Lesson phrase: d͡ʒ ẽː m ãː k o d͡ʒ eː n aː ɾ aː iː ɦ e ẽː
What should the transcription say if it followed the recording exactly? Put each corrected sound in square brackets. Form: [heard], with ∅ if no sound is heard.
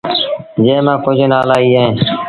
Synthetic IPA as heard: d͡ʒ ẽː m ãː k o d͡ʒ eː n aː [l] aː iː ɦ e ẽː